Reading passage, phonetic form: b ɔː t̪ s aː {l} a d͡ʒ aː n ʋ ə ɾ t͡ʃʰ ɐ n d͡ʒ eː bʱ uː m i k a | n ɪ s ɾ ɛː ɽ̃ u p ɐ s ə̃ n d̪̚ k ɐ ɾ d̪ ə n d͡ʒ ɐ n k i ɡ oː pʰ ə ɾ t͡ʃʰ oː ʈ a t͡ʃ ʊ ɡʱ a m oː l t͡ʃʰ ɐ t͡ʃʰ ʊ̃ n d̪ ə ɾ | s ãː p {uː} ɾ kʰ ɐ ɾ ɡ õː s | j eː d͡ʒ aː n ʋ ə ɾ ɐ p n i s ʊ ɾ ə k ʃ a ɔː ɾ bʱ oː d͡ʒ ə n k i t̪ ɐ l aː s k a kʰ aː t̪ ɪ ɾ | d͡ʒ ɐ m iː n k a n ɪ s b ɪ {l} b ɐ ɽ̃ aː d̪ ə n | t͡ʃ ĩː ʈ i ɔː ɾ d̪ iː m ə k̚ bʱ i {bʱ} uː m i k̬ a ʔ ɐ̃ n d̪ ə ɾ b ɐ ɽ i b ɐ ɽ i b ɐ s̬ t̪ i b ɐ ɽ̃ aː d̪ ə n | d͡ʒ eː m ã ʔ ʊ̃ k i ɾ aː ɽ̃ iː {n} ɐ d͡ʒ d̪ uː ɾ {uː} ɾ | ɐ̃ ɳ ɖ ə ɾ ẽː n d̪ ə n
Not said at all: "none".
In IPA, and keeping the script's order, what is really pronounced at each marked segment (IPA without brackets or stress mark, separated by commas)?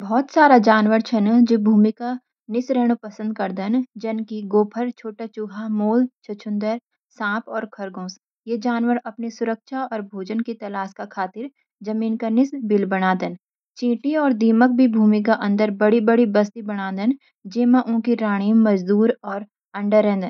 ɾ, ɔː, l, bʱ, m, ɔː